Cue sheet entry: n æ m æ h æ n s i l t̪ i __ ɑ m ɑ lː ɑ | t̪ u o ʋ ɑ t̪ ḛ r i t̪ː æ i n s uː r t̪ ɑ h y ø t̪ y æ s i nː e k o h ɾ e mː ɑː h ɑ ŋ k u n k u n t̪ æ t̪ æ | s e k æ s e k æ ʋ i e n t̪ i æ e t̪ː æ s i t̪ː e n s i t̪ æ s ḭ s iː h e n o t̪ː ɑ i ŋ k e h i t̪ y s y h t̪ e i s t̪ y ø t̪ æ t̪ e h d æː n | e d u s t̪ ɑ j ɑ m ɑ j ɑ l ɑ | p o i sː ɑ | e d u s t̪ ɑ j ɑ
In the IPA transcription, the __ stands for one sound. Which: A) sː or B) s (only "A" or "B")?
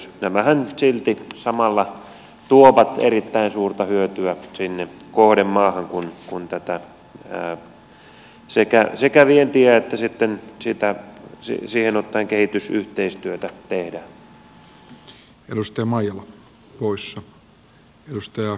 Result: B